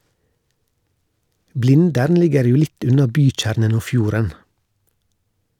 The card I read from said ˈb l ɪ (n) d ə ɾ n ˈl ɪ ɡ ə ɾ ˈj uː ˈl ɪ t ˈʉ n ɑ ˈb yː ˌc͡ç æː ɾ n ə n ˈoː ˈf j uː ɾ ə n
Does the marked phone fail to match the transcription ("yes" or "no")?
no